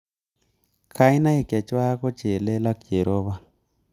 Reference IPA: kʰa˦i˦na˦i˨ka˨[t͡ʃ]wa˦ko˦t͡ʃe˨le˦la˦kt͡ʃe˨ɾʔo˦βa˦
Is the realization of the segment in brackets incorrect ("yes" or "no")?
no